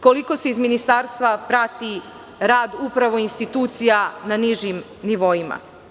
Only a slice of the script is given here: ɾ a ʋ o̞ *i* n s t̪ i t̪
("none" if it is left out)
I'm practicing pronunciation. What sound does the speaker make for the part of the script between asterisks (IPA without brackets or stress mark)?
i